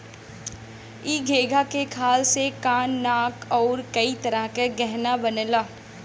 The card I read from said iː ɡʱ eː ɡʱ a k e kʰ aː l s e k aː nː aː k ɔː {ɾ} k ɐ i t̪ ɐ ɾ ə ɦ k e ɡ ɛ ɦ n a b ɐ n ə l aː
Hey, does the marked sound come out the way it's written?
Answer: yes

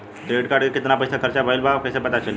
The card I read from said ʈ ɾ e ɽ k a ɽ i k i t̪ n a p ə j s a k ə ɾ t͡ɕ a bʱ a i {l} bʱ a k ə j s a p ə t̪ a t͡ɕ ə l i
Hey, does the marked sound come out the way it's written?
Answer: yes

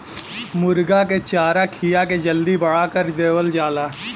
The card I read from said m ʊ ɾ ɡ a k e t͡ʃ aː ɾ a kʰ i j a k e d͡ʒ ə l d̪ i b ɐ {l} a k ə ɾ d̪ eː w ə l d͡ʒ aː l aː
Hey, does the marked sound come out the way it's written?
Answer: no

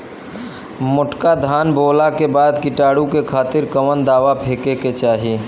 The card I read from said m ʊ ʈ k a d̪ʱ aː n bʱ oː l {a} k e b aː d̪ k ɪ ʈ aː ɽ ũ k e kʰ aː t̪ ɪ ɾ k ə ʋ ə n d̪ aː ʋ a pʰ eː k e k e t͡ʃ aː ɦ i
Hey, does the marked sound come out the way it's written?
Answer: yes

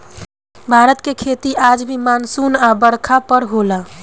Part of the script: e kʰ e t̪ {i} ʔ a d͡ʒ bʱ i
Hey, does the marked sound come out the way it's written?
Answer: yes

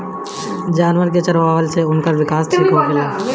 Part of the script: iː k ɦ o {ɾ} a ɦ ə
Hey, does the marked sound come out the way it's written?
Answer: no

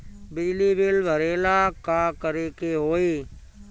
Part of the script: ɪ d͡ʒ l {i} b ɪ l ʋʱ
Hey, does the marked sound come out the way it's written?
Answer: no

